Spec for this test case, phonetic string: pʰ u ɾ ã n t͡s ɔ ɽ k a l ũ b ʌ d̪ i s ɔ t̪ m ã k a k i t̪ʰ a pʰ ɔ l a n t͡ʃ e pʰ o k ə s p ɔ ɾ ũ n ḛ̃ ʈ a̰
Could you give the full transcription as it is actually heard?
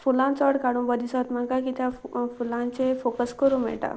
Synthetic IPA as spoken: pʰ u l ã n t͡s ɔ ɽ k a ɽ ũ b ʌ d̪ i s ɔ t̪ m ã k a k i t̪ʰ a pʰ u l a n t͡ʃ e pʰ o k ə s k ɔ ɾ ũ m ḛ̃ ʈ a̰